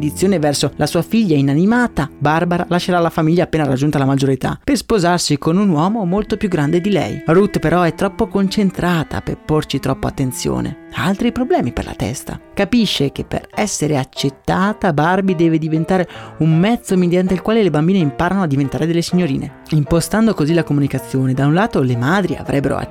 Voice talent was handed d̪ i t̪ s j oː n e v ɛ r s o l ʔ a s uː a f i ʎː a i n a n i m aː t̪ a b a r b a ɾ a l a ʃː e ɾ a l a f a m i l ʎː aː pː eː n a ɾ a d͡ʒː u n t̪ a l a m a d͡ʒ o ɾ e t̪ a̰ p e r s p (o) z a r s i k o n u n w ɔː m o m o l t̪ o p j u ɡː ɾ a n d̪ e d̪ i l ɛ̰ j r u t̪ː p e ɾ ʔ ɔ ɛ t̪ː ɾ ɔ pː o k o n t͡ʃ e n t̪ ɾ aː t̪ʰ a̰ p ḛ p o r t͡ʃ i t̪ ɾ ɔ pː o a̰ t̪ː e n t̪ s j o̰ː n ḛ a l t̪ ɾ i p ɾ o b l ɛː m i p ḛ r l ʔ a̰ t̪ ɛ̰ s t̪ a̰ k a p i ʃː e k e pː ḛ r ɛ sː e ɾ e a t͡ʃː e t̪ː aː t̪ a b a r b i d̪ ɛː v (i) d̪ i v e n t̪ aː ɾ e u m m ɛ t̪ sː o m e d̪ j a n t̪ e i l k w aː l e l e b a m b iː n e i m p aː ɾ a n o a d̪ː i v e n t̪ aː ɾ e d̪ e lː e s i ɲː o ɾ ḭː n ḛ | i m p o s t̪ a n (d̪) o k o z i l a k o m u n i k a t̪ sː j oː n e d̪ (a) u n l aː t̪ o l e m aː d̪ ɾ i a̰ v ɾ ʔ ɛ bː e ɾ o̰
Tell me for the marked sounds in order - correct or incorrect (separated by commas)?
correct, incorrect, correct, correct